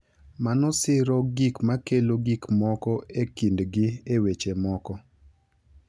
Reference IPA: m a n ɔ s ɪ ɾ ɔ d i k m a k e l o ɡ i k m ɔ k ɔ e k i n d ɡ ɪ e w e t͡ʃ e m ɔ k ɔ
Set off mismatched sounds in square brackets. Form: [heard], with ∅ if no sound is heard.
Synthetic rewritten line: m a n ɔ s ɪ ɾ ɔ [ɡ] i k m a k e l o ɡ i k m ɔ k ɔ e k i n d ɡ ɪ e w e t͡ʃ e m ɔ k ɔ

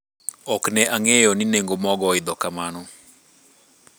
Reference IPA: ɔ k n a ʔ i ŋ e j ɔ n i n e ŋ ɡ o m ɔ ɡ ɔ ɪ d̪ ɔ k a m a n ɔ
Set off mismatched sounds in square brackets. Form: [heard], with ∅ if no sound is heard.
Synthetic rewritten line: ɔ k n [ɛ] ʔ [a] ŋ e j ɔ n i n e ŋ ɡ o m ɔ ɡ ɔ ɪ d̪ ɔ k a m a n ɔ

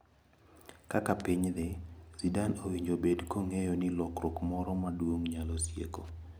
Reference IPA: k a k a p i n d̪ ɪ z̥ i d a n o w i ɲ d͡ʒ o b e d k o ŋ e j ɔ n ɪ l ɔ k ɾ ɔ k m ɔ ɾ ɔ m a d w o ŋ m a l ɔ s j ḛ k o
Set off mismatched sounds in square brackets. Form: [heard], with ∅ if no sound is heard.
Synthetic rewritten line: k a k a p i [ɲ] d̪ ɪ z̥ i d a n o w i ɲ d͡ʒ o b e d k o ŋ e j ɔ n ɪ l ɔ k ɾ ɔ k m ɔ ɾ ɔ m a d w o ŋ [ɲ] a l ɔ s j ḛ k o

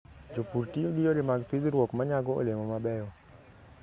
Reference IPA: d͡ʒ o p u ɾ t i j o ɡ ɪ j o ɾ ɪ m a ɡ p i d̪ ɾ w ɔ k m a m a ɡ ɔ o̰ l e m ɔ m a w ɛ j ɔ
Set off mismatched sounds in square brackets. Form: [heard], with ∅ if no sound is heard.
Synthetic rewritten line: d͡ʒ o p u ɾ t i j o ɡ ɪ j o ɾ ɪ m a ɡ p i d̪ ɾ w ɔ k m a [ɲ] a ɡ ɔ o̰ l e m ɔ m a [b] ɛ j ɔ

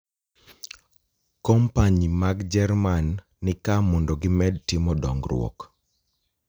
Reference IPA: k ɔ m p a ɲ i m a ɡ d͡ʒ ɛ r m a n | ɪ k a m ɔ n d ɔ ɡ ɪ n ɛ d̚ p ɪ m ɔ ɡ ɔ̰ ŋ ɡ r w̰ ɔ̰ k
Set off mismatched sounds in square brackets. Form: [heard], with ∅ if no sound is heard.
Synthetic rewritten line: k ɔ m p a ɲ i m a ɡ d͡ʒ ɛ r m a [nː] | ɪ k a m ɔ n d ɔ ɡ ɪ [m] ɛ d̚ [t] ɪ m ɔ [d] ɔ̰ ŋ ɡ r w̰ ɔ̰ k

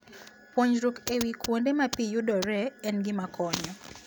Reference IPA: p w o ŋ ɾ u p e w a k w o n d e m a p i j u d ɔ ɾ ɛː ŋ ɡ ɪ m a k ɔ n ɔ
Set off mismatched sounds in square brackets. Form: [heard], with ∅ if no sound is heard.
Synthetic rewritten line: p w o [ɲ] ɾ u [k] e w [i] k w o n d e m a p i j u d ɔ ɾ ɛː [n] ɡ ɪ m a k ɔ [ɲ] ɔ

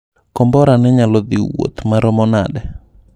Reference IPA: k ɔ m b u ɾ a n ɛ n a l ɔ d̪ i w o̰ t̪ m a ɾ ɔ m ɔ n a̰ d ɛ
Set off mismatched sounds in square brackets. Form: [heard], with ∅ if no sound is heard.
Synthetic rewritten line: k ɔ m b [ɔ] ɾ a n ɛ [ɲ] a l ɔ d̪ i w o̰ t̪ m a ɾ ɔ m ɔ n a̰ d ɛ

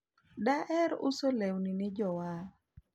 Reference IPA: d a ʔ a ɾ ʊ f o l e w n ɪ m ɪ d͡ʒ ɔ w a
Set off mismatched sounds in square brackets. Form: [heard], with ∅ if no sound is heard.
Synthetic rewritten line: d a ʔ [ɛ] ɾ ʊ [s] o l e w n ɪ [n] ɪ d͡ʒ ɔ w a

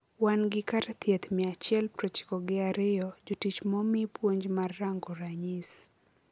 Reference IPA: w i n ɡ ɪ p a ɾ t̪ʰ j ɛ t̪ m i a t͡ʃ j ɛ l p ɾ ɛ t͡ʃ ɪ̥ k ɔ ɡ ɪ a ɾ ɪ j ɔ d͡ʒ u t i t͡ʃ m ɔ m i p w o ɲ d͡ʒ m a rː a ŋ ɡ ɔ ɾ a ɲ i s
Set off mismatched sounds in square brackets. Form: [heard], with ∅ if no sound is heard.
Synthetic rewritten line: w [a] n ɡ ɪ [k] a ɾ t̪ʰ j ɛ t̪ m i a t͡ʃ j ɛ l p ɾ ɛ t͡ʃ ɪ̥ k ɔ ɡ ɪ a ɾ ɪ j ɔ d͡ʒ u t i t͡ʃ m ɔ m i p w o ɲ d͡ʒ m a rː a ŋ ɡ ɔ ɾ a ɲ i s

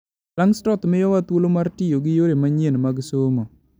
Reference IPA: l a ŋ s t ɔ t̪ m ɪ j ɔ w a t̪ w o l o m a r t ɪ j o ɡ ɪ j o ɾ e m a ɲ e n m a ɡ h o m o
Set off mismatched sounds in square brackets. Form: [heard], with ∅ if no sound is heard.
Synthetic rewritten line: l a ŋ s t ɔ t̪ m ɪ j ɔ w a t̪ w o l o m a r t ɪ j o ɡ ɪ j o ɾ e m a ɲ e n m a ɡ [s] o m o

